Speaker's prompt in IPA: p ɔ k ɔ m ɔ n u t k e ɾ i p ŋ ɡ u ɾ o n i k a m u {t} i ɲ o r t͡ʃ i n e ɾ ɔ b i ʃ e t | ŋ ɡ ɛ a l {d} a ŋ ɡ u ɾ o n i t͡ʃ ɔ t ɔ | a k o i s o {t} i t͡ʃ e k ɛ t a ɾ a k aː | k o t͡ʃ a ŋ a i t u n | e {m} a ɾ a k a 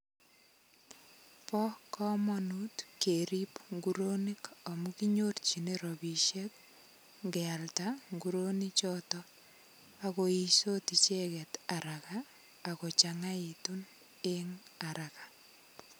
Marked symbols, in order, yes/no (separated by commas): no, no, yes, no